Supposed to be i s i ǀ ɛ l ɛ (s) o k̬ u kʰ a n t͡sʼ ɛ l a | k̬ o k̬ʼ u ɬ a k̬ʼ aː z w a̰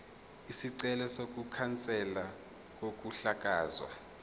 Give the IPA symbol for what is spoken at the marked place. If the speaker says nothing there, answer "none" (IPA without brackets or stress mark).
s